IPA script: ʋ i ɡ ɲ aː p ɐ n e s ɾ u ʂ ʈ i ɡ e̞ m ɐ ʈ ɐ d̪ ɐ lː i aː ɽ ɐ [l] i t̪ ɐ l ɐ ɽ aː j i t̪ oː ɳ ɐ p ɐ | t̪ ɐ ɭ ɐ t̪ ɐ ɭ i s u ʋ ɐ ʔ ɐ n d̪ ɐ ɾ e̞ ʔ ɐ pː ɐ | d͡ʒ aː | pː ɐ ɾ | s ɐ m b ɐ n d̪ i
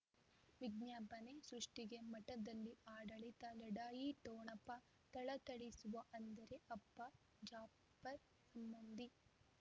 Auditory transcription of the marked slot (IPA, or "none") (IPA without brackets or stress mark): ɭ